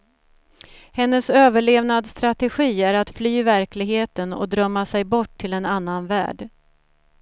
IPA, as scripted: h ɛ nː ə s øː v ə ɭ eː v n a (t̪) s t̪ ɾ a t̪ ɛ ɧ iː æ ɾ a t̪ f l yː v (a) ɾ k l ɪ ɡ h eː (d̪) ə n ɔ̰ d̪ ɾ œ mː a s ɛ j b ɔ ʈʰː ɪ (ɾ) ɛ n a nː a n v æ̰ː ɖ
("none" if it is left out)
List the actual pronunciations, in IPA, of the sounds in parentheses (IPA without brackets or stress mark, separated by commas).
d̪, æ, t̪, l